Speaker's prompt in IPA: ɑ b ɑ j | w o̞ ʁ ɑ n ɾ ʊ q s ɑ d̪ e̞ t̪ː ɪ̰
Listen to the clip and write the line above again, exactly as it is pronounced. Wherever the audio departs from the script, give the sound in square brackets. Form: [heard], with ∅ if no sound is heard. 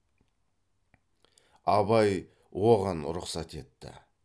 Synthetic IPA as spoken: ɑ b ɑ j | w o̞ ʁ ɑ n ɾ ʊ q s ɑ [t̪] e̞ t̪ː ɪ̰